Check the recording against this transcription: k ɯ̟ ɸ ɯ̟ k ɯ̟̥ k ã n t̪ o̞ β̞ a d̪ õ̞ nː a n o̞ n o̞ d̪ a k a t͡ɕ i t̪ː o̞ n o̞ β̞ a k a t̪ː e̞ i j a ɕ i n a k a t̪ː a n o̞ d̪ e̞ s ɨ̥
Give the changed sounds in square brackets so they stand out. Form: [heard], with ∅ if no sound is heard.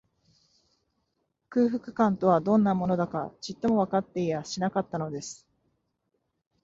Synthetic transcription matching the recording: k [ɯ̟ː] ɸ ɯ̟ k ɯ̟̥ k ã n t̪ o̞ β̞ a d̪ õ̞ nː a [m] o̞ n o̞ d̪ a k a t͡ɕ i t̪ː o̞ [m] o̞ β̞ a k a t̪ː e̞ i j a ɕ i n a k a t̪ː a n o̞ d̪ e̞ s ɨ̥